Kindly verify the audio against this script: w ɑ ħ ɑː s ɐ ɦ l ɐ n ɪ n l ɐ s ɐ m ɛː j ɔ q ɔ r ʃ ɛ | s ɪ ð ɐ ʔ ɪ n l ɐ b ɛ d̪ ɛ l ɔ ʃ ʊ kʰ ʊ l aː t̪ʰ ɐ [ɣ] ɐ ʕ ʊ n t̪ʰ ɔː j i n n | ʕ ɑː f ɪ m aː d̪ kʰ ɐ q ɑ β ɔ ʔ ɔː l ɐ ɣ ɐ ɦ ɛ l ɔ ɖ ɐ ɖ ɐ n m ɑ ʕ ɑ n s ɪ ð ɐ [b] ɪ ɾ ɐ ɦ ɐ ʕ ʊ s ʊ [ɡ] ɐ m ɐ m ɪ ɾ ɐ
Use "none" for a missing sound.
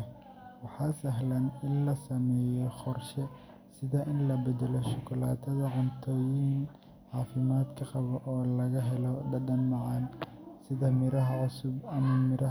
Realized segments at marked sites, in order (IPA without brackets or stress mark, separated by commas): ð, m, b